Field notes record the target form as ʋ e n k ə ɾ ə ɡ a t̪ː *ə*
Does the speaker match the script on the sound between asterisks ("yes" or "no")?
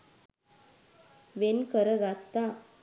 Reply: no